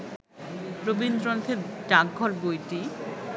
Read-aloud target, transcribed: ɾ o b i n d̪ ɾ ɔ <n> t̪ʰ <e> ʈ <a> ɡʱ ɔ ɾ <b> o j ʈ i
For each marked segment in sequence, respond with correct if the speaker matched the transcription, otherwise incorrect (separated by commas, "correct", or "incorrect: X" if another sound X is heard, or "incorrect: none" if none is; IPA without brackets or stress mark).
correct, correct, correct, correct